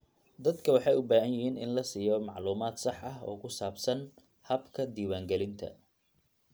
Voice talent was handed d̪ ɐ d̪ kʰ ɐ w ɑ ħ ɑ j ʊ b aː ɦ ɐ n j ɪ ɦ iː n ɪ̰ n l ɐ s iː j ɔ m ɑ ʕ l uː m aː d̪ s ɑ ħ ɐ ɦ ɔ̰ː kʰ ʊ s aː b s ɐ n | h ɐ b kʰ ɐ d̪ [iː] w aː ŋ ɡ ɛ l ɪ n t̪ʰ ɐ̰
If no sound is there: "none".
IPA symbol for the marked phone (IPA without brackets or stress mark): iː